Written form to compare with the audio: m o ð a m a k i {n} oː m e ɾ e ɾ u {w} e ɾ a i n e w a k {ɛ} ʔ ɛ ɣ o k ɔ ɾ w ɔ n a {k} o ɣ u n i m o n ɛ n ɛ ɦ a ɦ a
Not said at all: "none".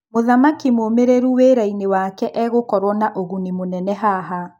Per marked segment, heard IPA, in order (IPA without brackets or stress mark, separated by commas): m, w, ɛ, ʔ